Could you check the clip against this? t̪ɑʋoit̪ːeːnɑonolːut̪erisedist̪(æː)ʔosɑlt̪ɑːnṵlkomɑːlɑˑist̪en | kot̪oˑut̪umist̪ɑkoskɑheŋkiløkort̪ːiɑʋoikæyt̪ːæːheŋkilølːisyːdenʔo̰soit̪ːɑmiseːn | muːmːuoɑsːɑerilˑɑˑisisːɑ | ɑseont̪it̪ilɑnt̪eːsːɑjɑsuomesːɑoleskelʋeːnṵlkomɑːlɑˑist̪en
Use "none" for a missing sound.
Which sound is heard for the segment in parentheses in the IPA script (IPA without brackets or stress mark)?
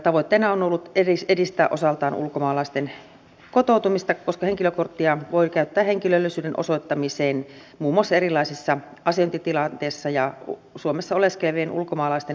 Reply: æː